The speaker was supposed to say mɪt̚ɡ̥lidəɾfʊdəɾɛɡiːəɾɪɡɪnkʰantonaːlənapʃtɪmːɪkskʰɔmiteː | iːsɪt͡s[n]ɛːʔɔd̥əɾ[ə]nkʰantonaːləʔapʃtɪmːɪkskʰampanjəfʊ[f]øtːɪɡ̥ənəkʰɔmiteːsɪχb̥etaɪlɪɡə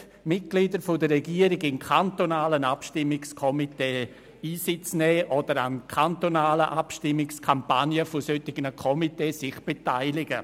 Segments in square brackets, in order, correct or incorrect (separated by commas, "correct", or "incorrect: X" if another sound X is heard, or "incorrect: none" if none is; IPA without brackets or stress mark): correct, incorrect: a, incorrect: s